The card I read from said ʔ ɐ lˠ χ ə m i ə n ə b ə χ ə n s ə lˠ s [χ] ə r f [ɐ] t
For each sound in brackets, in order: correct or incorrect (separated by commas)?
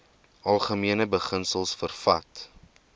incorrect, correct